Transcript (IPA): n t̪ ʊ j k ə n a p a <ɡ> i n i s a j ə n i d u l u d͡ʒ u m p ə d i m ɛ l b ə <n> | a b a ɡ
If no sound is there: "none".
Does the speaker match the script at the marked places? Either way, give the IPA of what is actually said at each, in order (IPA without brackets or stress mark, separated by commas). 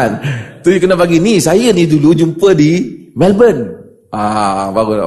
ɡ, n